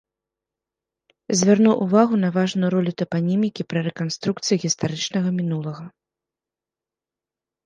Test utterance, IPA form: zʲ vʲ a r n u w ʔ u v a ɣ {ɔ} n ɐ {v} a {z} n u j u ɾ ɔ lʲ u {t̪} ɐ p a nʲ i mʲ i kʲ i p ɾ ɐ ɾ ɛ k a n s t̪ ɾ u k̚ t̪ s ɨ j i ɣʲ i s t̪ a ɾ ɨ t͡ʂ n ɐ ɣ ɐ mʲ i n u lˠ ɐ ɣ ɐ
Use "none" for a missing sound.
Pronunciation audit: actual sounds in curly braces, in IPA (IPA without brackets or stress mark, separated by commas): u, v, ʐ, t̪